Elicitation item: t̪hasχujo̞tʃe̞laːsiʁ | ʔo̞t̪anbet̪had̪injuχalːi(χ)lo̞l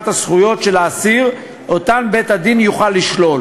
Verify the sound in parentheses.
incorrect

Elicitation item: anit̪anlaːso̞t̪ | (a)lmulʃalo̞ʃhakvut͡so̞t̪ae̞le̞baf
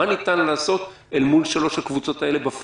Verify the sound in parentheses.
incorrect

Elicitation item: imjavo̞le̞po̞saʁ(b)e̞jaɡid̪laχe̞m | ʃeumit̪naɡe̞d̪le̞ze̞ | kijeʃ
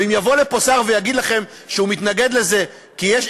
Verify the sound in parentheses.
incorrect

